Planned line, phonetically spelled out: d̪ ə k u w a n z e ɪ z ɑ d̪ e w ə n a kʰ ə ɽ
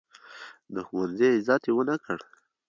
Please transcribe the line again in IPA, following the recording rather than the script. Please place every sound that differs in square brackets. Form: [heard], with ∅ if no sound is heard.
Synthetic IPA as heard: d̪ ə [x] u w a n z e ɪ z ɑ [t̪] e w ə n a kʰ ə ɽ